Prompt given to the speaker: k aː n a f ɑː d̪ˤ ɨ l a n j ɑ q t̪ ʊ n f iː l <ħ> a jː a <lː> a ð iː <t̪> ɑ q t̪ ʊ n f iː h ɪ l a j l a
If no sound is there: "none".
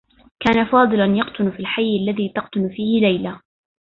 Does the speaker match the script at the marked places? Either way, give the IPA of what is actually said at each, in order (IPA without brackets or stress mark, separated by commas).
ħ, lː, t̪